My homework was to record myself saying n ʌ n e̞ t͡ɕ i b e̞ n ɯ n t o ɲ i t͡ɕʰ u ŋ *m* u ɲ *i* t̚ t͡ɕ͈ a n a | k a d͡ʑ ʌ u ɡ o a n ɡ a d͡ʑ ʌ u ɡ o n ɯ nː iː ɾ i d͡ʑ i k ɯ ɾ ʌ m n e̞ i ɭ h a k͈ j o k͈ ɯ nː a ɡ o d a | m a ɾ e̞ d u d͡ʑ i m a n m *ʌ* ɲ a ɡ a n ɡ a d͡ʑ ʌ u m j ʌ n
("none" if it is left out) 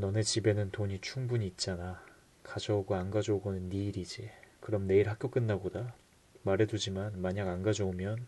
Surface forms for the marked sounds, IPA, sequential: b, iː, a

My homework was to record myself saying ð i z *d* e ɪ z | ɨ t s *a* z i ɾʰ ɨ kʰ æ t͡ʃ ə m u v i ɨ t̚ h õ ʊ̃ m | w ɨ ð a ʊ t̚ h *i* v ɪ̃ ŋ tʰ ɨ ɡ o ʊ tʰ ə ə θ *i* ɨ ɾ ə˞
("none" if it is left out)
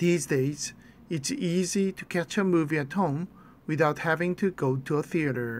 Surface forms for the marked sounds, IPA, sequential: d, i, æ, i

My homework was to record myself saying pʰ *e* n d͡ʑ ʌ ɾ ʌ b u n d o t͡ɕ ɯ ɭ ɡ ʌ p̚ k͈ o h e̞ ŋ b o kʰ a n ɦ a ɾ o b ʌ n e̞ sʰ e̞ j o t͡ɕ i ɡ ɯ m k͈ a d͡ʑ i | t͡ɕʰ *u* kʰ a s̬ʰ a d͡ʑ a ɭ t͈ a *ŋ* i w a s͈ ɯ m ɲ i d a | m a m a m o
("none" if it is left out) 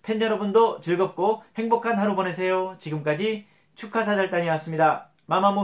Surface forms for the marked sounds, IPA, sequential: e, u, ɲ

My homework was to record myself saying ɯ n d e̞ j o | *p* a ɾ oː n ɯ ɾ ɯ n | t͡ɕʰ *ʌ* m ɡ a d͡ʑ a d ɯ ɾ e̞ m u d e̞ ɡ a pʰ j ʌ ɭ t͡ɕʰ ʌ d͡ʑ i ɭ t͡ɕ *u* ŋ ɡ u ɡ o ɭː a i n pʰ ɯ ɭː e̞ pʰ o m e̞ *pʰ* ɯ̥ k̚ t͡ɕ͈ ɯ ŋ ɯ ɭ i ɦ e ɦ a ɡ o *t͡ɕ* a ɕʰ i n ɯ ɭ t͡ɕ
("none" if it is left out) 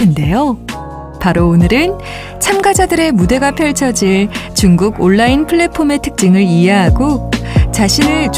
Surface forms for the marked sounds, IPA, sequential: p, a, u, tʰ, t͡ɕ

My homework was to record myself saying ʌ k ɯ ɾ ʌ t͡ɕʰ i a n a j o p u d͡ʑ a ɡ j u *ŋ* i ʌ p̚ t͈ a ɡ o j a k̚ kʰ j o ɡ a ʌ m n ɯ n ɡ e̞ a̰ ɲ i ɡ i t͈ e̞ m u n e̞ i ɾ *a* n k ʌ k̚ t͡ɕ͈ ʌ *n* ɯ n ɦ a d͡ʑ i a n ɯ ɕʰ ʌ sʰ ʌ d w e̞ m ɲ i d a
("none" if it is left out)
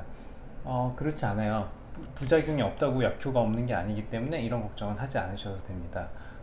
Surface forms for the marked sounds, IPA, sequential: ŋ, ʌ, ŋ

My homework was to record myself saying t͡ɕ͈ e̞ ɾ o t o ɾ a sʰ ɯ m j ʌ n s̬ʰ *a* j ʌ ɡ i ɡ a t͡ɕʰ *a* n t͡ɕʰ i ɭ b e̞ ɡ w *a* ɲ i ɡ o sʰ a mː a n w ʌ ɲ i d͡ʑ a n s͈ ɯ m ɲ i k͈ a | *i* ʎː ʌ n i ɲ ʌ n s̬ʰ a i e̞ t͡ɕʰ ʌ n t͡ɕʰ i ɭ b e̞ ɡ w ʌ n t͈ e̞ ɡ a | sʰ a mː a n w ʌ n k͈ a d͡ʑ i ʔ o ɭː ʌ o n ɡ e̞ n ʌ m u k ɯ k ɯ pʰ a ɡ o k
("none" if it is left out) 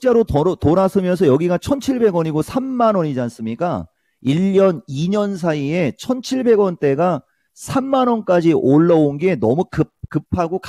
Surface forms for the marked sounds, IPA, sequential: ʌ, ʌ, ʌ, i

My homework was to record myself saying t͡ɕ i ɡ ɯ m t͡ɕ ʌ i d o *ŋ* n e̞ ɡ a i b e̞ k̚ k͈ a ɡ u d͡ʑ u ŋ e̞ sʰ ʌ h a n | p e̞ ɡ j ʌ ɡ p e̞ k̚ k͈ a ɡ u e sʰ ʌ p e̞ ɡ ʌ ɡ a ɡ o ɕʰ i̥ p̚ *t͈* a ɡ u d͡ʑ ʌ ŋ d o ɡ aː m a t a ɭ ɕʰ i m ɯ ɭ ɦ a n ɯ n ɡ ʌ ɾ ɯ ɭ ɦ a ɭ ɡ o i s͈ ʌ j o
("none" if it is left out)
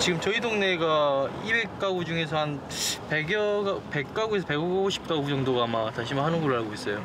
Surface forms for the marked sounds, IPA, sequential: ŋ, t͈

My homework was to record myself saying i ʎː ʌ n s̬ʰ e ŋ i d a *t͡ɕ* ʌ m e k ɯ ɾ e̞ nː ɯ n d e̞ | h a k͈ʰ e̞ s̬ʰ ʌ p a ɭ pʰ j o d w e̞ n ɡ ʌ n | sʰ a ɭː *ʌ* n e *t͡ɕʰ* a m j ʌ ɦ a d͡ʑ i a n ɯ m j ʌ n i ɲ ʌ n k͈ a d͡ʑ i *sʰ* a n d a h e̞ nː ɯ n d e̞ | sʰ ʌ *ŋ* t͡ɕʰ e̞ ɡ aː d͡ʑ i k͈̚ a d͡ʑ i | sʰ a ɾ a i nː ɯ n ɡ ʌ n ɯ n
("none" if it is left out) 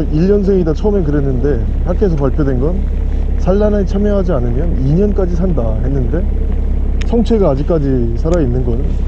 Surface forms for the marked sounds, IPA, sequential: t͡ɕʰ, a, t͡ɕʰ, sʰ, ŋ

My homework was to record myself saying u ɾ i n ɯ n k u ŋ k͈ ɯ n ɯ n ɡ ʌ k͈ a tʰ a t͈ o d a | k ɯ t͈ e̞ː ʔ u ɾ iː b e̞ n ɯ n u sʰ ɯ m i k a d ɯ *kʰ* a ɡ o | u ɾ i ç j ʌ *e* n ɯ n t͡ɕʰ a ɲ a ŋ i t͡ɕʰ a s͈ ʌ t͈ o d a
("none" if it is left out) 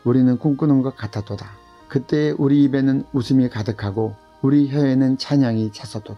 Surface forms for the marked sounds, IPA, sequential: kʰ, e

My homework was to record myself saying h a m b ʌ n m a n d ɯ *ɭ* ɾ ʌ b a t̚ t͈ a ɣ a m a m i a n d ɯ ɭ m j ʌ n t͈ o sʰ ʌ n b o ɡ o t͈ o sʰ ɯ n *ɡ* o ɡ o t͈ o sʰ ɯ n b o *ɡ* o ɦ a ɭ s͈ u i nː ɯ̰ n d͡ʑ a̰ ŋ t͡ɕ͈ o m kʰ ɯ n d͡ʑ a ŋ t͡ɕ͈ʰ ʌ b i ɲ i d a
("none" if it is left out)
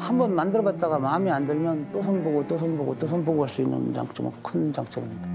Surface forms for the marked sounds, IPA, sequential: none, b, ɡ

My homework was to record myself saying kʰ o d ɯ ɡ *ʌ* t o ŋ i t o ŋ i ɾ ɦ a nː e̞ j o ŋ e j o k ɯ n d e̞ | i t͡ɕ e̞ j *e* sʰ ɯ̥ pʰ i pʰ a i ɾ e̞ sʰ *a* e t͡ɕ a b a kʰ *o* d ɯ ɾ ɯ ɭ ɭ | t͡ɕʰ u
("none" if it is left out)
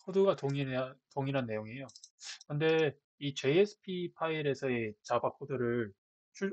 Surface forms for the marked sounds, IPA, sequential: a, e, ʌ, o

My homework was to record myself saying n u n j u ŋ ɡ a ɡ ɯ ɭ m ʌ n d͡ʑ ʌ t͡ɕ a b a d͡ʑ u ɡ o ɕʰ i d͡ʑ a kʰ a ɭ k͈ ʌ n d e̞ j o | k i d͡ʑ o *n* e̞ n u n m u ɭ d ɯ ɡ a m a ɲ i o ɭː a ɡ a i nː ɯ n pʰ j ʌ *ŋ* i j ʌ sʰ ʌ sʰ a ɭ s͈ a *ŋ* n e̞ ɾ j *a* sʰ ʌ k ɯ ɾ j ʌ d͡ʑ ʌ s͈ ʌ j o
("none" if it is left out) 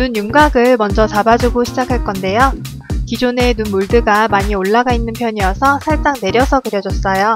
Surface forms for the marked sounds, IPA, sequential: n, ɲ, ŋ, ʌ

